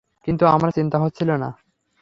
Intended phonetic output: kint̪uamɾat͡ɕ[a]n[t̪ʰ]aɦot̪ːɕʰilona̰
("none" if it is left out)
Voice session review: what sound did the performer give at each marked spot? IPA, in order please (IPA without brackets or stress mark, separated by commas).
i, t̪